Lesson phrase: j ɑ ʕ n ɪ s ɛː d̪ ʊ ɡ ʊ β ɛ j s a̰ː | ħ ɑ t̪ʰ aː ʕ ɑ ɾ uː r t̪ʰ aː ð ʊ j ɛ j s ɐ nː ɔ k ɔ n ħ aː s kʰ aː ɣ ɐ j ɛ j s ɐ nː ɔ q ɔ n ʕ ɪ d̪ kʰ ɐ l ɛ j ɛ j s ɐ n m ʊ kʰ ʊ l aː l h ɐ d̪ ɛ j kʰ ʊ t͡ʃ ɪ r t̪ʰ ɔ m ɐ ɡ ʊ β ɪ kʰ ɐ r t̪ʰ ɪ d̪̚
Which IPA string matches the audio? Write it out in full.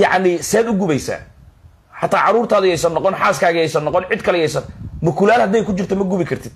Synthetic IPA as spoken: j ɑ ʕ n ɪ s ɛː d̪ ʊ ɡ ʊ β ɛ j s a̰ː | ħ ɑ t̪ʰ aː ʕ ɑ ɾ uː r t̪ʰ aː ð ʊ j ɛ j s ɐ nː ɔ q ɔ n ħ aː s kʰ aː ɣ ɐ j ɛ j s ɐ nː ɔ q ɔ n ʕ ɪ d̪ kʰ ɐ l ɛ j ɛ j s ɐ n m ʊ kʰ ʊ l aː l h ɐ d̪ ɛ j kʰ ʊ t͡ʃ ɪ r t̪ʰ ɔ m ɐ ɡ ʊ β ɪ kʰ ɐ r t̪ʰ ɪ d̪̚

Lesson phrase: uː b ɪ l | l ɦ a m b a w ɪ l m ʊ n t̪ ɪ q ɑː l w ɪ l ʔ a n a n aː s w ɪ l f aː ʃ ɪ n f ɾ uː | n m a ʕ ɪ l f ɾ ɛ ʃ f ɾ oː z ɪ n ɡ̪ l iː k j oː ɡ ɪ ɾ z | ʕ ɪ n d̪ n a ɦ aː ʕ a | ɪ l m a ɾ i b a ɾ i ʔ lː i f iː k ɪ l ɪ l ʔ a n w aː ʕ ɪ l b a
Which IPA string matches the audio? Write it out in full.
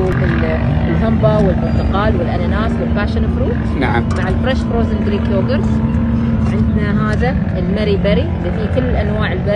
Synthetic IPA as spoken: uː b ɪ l | l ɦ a m b a w ɪ l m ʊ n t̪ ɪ q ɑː l w ɪ l ʔ a n a n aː s w ɪ l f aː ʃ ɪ n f ɾ uː | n m a ʕ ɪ l f ɾ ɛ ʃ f ɾ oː z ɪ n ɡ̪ ɾ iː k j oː ɡ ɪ ɾ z | ʕ ɪ n d̪ n a ɦ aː ð a | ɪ l m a ɾ i b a ɾ i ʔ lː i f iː k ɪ lː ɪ l ʔ a n w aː ʕ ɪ l b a

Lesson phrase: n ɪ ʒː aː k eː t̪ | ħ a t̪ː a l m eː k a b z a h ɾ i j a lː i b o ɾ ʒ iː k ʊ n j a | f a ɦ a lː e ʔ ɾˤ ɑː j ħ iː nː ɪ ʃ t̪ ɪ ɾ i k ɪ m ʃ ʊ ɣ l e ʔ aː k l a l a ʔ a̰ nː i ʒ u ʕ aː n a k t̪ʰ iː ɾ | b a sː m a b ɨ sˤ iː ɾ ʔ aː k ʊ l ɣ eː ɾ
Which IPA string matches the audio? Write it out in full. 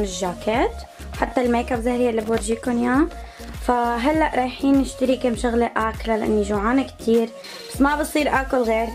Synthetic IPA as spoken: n ɪ ʒː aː k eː t̪ | ħ a t̪ː a l m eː k a b z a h ɾ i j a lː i b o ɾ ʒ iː k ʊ n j a | f a ɦ a lː a ʔ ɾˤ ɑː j ħ iː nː ɪ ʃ t̪ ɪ ɾ i k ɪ m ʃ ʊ ɣ l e ʔ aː k l a l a ʔ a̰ nː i ʒ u ʕ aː n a k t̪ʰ iː ɾ | b a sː m a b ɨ sˤ iː ɾ ʔ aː k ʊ l ɣ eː ɾ

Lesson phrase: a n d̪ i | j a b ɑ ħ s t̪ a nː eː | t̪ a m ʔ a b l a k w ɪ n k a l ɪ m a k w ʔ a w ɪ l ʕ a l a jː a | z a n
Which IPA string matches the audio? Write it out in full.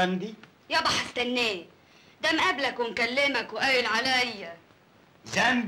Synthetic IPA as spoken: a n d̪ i | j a b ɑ ħ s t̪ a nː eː | d̪ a m ʔ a b l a k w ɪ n k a lː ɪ m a k w ʔ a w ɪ l ʕ a l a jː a | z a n

